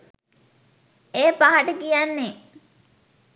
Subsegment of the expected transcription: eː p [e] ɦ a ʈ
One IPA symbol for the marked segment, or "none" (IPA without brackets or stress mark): a